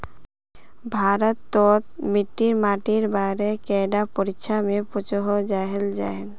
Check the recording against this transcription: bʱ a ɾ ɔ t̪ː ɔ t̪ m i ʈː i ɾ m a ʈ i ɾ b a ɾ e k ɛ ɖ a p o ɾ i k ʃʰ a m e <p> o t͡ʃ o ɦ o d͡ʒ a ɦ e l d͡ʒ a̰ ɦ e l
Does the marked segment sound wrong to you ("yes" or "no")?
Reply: no